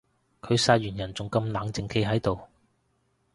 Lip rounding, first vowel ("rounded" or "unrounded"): rounded